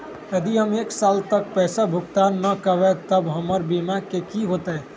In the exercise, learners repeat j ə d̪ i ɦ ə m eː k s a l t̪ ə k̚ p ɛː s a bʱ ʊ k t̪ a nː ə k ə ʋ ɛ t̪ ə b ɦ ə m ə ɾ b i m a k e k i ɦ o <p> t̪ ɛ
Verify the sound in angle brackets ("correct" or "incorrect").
incorrect